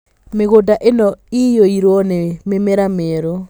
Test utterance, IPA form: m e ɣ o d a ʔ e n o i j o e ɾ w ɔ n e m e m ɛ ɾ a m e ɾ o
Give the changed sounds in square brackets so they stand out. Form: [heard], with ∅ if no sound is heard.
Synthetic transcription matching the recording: m e ɣ o d a ʔ e n [ɔ] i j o [i] ɾ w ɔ n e m e m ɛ ɾ a m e ɾ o